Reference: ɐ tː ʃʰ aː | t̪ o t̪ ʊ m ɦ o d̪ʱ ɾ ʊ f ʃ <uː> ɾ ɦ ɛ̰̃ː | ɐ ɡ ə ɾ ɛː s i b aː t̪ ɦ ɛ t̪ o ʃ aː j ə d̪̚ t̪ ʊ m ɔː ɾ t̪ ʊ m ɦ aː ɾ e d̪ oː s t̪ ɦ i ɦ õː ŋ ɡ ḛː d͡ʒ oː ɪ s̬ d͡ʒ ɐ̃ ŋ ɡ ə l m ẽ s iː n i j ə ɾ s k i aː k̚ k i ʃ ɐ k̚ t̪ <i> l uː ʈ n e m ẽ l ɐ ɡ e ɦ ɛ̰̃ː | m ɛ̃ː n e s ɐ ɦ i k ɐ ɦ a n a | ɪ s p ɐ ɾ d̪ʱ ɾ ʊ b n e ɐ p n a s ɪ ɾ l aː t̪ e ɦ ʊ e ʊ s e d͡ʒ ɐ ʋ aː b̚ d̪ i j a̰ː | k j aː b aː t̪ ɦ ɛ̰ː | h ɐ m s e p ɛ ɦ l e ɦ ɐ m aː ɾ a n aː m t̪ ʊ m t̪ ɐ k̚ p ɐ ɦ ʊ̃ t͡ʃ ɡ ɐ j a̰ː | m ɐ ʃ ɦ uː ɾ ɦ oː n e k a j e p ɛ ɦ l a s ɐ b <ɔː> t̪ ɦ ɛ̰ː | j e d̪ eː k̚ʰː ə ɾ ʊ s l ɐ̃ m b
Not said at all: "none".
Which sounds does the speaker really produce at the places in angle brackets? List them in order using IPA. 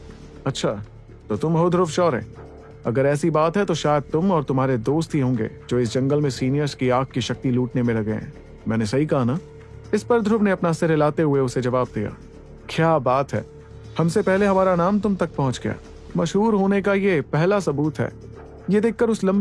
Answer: ɔː, i, uː

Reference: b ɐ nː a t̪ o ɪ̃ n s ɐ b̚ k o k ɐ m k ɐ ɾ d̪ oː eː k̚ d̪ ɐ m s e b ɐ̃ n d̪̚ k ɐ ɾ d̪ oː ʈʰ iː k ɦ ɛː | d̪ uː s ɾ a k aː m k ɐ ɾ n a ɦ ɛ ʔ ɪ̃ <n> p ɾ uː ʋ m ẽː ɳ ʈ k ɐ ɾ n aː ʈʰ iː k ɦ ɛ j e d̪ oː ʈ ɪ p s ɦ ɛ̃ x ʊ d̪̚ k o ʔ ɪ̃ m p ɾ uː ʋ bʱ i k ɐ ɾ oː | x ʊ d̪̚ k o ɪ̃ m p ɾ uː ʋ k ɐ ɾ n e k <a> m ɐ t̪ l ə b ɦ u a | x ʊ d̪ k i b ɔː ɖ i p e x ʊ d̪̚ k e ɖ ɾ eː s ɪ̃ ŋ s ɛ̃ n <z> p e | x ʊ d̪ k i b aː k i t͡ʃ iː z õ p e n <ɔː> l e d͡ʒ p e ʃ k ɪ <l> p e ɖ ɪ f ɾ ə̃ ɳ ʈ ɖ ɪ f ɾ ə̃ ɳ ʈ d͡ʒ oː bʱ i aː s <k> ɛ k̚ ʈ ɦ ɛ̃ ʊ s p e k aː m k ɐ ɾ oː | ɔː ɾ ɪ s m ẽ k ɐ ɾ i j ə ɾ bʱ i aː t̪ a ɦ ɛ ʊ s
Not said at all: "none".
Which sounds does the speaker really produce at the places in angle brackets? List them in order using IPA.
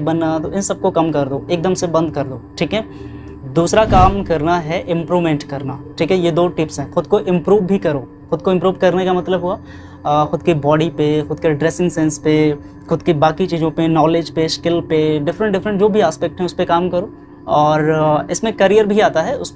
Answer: m, a, s, ɔː, l, p

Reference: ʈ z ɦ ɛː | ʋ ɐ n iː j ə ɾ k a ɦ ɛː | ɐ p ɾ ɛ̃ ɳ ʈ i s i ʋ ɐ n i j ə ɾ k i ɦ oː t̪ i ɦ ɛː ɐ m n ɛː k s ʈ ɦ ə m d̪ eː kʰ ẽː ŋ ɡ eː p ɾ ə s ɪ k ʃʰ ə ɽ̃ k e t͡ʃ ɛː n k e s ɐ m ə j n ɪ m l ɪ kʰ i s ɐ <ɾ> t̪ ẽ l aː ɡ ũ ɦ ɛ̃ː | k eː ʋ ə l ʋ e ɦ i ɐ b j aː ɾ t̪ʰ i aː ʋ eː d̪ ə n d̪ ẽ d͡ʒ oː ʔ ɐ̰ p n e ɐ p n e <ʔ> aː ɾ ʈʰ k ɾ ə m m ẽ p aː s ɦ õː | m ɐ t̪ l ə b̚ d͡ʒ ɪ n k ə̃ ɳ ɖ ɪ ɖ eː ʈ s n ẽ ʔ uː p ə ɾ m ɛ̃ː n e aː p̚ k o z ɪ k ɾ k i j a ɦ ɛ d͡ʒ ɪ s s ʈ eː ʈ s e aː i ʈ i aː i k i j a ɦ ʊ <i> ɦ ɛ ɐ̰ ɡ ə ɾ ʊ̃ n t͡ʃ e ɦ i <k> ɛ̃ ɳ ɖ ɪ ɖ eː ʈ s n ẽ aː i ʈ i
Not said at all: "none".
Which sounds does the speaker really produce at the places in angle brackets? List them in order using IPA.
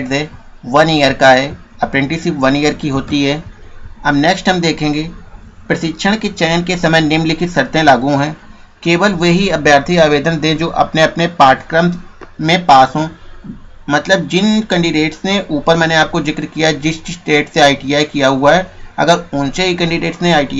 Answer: ɾ, p, a, k

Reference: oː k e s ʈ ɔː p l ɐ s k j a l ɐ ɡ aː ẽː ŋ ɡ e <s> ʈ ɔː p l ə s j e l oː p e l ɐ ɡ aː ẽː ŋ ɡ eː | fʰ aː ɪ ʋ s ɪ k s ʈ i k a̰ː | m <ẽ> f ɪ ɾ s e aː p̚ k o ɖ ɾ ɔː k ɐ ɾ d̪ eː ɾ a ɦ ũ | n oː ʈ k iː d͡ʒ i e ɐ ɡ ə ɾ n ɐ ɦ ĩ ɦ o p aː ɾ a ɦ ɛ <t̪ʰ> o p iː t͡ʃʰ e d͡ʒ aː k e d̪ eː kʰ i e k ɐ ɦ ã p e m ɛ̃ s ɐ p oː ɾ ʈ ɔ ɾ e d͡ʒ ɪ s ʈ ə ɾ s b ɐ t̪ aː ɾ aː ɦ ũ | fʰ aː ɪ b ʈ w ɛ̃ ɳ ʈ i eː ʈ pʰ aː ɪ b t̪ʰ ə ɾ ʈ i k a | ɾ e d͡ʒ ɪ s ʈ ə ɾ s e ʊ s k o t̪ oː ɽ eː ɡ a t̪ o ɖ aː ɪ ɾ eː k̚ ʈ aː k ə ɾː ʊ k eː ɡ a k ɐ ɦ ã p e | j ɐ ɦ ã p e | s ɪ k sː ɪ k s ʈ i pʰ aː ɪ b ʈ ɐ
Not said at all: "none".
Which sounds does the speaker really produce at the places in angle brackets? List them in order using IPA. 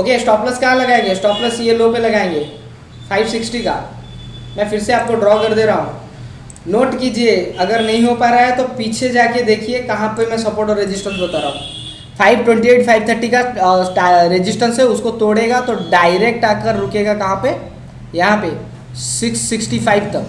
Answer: s, ɛ̃, t̪

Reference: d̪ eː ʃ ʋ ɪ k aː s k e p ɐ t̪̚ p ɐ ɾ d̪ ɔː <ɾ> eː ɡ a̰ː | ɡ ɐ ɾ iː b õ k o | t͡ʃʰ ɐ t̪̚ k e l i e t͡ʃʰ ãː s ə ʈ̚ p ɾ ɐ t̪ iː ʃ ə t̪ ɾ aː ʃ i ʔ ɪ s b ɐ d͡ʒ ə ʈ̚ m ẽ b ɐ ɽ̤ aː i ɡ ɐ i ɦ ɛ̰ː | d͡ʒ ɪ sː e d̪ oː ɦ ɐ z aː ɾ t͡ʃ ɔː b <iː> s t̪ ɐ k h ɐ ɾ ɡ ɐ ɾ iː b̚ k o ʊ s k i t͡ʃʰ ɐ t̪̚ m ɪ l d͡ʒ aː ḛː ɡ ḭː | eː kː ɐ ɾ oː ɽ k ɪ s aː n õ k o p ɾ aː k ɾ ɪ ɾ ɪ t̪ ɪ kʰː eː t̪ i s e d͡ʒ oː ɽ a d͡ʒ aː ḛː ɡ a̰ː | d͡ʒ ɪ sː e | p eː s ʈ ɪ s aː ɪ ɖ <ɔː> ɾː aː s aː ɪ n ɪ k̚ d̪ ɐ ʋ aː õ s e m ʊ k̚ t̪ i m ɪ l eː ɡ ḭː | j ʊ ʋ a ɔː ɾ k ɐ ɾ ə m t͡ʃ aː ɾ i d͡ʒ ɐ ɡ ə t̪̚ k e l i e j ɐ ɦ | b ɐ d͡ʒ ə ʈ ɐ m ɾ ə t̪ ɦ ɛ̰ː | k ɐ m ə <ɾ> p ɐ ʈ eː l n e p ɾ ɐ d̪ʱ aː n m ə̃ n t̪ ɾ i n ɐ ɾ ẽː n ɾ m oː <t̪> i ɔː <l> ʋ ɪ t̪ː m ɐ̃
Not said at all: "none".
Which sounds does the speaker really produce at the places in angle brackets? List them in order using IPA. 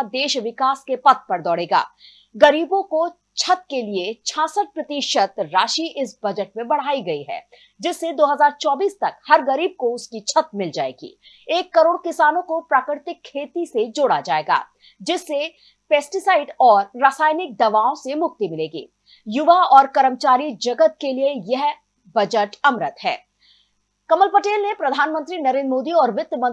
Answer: ɽ, iː, ɔː, l, d̪, ɾ

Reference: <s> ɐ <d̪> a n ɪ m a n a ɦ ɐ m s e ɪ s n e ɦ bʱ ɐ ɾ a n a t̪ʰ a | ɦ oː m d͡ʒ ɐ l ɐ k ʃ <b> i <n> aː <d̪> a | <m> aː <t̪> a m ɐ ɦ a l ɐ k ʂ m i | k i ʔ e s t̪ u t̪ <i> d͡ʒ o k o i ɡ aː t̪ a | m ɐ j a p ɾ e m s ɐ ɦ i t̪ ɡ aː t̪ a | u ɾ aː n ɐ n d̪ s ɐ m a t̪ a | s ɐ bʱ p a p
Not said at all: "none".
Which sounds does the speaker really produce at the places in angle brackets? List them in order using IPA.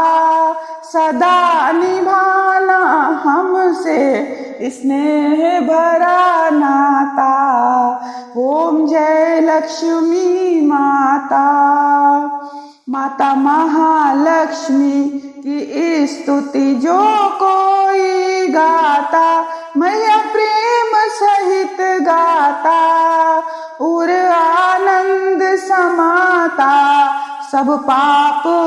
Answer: s, d̪, m, m, t̪, m, t̪, i

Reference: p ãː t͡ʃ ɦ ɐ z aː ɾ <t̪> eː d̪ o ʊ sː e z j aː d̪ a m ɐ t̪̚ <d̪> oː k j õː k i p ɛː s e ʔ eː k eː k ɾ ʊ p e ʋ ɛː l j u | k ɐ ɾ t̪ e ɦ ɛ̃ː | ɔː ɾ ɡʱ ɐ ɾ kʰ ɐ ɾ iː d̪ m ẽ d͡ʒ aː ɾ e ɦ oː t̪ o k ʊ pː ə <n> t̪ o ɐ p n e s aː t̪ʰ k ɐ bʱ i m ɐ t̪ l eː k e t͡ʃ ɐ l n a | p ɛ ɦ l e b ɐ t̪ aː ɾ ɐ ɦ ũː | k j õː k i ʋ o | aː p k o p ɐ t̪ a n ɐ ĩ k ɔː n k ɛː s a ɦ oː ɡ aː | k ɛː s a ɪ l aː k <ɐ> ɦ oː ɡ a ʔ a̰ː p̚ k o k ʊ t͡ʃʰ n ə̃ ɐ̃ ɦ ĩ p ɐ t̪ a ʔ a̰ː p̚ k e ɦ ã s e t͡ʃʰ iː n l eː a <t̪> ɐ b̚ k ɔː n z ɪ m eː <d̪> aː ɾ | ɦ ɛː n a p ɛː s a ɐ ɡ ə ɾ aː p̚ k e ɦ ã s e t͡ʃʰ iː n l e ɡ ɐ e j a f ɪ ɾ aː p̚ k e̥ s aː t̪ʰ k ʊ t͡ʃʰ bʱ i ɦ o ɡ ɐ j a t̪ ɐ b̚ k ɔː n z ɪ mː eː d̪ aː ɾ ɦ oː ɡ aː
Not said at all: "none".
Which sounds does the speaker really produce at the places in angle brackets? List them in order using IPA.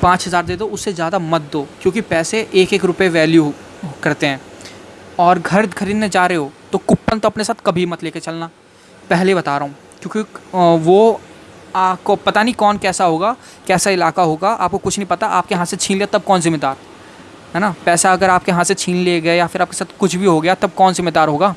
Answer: d̪, d̪, n, a, t̪, d̪

